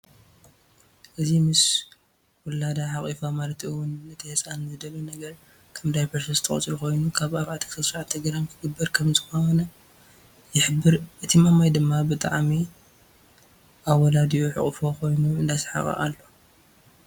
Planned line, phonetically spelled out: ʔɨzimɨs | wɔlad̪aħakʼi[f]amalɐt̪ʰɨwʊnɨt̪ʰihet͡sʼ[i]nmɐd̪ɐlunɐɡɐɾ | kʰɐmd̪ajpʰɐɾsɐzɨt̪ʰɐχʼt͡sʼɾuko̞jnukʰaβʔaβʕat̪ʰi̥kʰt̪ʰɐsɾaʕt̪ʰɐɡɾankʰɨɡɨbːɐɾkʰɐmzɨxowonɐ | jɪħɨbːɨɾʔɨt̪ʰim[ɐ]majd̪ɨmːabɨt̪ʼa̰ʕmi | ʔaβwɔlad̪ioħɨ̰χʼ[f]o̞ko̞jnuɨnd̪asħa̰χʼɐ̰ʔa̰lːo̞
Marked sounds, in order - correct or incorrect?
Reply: correct, incorrect, incorrect, correct

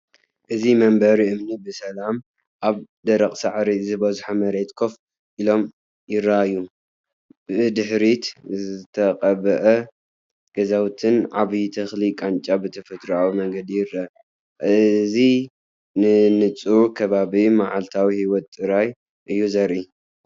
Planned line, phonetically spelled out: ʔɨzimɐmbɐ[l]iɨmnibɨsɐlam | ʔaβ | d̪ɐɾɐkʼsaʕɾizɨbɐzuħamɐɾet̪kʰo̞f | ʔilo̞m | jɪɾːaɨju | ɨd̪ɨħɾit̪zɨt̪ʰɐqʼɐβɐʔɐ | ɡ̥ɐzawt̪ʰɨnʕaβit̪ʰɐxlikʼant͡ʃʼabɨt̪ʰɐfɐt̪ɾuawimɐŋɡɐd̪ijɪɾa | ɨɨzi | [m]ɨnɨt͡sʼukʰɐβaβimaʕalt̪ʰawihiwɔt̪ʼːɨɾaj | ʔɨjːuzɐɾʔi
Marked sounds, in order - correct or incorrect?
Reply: incorrect, incorrect

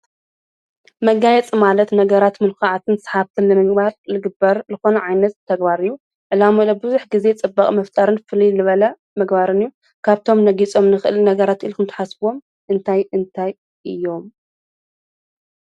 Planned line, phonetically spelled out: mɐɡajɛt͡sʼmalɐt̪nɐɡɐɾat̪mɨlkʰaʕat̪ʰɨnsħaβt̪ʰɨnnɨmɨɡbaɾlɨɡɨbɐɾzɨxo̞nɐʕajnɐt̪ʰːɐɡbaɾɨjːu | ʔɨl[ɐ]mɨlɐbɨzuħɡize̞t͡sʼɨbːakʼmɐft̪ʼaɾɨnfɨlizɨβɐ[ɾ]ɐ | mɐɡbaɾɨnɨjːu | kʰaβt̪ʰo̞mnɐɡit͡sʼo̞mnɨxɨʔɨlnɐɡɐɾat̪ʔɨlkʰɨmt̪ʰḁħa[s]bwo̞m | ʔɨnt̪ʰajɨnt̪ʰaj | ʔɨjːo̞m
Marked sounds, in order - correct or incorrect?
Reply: incorrect, incorrect, correct

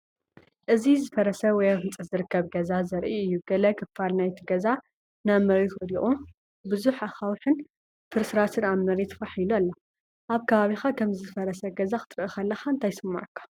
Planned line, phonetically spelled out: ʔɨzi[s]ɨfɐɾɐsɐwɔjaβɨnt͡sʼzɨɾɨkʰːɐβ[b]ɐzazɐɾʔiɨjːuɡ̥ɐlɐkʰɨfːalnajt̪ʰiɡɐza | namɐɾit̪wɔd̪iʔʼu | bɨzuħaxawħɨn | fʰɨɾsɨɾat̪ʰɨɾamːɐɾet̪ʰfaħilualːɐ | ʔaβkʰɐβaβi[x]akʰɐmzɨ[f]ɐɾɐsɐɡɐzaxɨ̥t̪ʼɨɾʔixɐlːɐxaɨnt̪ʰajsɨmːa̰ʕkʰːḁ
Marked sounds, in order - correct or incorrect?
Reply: incorrect, incorrect, correct, correct

